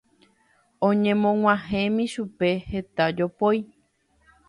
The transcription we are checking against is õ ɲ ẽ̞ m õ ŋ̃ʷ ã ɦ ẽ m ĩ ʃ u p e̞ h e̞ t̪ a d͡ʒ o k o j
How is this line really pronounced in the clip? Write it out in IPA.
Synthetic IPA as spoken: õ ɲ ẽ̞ m õ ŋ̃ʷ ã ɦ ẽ m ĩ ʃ u p e̞ h e̞ t̪ a d͡ʒ o p o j